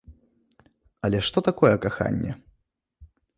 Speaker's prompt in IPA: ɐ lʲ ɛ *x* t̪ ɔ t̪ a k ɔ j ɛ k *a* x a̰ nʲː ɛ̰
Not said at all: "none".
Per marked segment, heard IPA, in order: ʂ, a

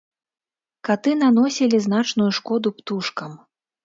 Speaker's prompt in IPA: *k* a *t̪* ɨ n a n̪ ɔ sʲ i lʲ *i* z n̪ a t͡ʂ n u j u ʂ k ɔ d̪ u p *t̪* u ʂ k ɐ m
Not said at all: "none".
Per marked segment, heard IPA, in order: k, t̪, i, t̪

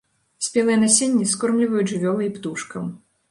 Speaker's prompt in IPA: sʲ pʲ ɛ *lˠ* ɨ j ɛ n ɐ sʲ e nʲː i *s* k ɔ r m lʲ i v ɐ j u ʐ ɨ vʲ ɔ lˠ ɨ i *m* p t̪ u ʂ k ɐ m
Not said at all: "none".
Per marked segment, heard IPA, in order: lˠ, s, none

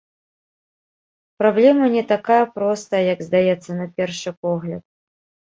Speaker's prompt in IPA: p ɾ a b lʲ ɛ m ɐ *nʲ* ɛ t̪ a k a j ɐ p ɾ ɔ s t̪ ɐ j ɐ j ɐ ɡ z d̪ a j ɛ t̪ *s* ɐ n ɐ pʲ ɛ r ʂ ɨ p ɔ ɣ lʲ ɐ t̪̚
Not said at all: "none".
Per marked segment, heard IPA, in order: nʲ, sː

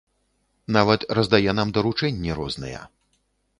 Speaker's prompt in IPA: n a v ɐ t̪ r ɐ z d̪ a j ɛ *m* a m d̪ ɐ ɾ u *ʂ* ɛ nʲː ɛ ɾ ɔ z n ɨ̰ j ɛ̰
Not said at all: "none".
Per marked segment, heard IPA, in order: n, t͡ʂ

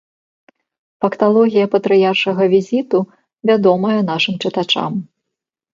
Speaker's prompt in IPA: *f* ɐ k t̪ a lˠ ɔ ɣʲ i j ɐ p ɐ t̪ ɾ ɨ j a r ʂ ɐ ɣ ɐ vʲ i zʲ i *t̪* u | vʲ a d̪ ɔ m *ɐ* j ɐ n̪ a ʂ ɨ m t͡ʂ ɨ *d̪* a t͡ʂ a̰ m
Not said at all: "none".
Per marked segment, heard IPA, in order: f, t̪, ɐ, t̪

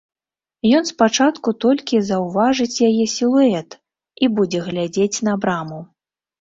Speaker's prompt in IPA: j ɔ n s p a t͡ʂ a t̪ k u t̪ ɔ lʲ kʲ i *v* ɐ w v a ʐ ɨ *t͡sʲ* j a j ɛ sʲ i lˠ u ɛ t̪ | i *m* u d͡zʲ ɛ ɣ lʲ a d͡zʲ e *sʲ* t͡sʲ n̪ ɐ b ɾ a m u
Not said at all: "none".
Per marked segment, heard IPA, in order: z, t͡sʲ, b, none

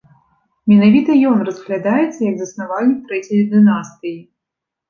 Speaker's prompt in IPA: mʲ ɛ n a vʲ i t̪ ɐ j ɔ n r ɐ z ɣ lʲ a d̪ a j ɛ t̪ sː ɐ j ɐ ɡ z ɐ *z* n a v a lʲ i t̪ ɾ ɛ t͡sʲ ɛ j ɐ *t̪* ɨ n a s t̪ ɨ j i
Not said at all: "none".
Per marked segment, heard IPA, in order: s, d̪

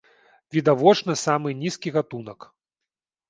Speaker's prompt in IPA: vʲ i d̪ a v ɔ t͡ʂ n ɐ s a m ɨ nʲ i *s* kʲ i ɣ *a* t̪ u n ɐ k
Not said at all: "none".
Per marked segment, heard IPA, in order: s, a

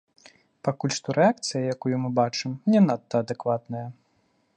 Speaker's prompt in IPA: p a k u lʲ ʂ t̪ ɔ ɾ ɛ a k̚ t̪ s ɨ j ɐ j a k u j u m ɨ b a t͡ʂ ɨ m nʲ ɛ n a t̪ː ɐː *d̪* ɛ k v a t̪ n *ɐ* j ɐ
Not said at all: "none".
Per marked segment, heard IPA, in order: d̪, ɐ

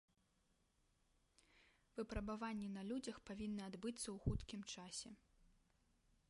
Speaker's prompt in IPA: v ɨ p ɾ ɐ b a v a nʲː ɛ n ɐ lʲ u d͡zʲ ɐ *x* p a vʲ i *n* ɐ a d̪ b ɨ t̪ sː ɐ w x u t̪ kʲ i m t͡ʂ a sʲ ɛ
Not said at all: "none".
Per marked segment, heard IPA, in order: x, nː

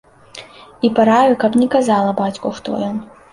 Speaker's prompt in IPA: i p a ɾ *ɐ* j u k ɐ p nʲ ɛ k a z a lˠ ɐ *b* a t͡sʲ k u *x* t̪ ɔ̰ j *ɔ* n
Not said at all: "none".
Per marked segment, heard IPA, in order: a, b, x, ɔ

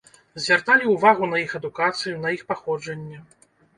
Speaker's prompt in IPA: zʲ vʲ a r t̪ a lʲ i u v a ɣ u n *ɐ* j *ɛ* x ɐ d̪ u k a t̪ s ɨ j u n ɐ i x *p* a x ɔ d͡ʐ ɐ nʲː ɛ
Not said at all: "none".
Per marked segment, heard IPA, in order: ɐ, i, p

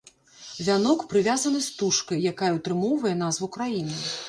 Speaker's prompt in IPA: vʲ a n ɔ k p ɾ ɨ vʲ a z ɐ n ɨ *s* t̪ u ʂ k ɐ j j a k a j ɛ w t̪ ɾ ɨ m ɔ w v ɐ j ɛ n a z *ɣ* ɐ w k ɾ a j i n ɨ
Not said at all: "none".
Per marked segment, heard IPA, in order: s, v

